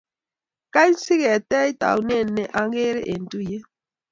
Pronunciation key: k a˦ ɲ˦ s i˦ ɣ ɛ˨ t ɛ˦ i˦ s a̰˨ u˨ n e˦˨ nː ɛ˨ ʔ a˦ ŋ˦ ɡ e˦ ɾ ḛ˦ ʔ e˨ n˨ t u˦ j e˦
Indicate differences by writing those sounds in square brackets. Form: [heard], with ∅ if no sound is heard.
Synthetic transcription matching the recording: k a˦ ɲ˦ s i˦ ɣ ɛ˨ t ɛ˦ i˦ [t] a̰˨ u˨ n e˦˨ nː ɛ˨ ʔ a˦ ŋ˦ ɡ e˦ ɾ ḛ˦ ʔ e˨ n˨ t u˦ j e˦

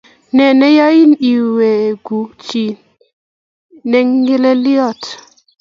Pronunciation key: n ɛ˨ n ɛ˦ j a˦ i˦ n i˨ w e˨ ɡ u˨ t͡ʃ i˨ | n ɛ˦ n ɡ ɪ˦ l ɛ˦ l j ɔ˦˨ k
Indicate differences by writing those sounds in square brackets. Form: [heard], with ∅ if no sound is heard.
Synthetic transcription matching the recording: n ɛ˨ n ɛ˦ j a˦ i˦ n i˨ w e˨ ɡ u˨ t͡ʃ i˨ | n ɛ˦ [ŋ] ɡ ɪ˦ l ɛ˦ l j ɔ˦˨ [t]

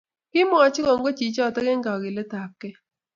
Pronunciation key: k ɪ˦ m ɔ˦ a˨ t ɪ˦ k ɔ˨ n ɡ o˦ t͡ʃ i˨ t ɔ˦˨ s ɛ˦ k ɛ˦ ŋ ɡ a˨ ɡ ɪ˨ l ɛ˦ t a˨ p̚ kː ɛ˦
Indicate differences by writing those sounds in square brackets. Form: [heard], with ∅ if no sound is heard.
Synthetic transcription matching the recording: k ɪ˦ m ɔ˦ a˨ [t͡ʃ] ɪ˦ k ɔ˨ [ŋ] ɡ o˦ t͡ʃ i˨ [t͡ʃ] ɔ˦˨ [t] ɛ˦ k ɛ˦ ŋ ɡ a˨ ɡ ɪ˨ l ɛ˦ t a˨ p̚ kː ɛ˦

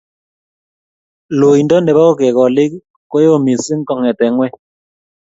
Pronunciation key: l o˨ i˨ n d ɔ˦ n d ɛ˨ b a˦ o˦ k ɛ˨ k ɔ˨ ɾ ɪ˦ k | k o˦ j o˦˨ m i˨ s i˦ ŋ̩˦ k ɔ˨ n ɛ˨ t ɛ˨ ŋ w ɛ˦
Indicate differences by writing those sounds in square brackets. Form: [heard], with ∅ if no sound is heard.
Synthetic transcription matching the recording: l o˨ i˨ n d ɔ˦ n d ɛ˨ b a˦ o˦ k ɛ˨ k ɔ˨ [l] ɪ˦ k | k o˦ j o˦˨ m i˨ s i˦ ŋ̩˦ k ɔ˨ [ŋ] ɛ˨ t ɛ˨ ŋ w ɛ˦

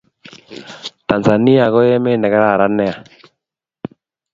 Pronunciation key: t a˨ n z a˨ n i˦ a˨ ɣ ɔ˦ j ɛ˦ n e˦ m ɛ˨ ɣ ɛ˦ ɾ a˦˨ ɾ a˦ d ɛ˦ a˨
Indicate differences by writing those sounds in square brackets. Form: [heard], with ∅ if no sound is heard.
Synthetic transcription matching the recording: t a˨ n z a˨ n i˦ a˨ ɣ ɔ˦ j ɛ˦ [m] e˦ [n] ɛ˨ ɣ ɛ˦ ɾ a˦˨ ɾ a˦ [n] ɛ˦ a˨

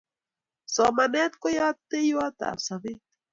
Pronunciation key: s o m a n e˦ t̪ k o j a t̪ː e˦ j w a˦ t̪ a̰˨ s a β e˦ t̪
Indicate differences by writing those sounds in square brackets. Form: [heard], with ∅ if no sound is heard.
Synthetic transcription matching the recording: s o m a n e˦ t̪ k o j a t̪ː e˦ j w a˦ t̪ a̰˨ s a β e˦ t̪

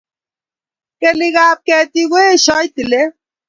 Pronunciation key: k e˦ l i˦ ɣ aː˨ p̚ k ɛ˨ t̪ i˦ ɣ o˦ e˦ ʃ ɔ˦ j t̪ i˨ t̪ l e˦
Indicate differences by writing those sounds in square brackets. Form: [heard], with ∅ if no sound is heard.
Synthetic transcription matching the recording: k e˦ l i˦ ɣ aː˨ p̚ k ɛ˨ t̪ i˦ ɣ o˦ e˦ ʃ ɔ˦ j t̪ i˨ [∅] l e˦

